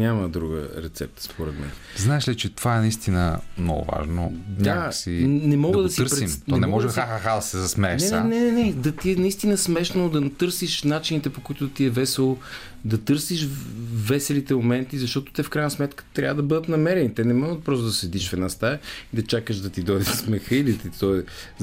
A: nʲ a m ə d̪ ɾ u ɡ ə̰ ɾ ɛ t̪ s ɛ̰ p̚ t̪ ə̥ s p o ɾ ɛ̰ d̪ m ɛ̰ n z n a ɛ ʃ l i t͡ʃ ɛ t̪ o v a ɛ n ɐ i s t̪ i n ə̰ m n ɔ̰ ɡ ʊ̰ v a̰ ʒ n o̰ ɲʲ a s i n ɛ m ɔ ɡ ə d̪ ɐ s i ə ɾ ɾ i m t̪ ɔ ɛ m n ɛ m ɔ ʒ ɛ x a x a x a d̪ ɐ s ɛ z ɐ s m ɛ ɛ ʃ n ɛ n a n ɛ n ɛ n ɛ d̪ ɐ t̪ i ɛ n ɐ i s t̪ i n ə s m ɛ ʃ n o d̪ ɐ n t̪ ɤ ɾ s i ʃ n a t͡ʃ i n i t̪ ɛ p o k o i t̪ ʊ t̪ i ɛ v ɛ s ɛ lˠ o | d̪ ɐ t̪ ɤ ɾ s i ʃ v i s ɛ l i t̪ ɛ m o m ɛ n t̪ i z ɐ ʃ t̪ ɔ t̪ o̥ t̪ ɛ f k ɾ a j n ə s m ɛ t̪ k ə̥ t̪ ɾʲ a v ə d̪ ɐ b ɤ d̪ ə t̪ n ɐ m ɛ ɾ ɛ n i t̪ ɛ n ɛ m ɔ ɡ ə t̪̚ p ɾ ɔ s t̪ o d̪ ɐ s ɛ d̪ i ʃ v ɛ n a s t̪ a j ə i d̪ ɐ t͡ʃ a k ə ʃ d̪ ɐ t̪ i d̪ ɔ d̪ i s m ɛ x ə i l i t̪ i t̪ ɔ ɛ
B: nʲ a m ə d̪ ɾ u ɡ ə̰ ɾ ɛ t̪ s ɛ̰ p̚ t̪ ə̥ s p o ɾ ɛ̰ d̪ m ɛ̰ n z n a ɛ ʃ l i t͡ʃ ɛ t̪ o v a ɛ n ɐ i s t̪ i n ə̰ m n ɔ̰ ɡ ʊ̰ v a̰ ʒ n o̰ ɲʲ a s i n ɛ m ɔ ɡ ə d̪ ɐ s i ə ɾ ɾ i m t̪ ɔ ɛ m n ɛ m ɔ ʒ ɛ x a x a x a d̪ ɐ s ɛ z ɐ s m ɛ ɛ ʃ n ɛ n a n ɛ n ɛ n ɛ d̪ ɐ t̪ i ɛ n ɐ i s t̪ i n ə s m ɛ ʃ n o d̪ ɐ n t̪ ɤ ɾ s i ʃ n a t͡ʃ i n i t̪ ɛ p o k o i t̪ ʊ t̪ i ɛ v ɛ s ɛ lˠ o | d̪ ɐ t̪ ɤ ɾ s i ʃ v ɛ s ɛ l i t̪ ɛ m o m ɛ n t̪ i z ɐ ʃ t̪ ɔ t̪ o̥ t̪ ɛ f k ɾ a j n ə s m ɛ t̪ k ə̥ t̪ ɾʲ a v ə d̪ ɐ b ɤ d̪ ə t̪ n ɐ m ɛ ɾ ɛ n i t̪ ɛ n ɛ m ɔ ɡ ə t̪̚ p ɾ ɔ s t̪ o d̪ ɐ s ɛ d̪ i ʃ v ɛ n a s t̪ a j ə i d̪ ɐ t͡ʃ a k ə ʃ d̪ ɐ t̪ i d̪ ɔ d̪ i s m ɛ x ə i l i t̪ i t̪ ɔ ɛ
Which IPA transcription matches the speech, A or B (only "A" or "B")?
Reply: B